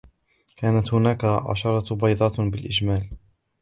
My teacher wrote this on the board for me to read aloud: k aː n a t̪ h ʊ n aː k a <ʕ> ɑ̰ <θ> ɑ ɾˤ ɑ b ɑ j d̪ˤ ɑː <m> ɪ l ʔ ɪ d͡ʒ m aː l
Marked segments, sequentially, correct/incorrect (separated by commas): correct, incorrect, incorrect